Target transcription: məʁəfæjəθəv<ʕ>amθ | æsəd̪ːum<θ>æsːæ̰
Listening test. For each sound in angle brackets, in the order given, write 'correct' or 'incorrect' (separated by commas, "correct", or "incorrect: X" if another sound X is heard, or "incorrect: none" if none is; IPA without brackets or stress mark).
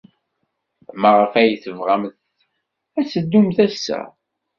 incorrect: ʁ, correct